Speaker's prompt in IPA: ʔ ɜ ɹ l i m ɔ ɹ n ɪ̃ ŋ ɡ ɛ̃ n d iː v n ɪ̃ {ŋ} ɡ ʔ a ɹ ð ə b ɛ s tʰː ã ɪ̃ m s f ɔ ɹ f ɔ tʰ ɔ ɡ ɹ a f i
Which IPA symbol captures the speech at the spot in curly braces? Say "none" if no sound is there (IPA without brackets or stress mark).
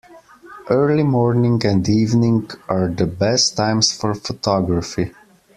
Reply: ŋ